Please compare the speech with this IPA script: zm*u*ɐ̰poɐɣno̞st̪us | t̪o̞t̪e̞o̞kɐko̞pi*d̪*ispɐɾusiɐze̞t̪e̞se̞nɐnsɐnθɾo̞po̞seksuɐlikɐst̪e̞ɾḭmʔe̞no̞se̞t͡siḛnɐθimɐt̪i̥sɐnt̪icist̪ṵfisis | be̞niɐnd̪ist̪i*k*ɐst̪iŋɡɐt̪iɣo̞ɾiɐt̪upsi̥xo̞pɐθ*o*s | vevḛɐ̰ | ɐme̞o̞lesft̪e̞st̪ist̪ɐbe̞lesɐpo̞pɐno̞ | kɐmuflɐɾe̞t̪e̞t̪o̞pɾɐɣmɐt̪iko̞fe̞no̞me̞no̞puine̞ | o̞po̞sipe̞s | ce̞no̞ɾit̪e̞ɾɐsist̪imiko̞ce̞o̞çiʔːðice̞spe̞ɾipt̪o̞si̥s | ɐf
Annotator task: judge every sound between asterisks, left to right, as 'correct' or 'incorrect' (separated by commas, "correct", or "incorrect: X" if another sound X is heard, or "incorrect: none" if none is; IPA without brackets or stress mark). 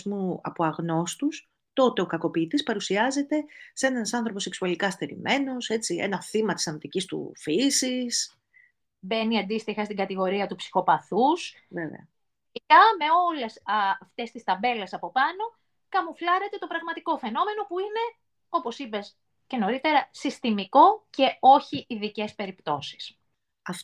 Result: correct, incorrect: t̪, incorrect: x, incorrect: u